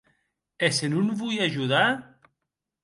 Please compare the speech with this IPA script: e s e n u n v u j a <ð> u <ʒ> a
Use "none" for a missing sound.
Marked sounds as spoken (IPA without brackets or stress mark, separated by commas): ʒ, ð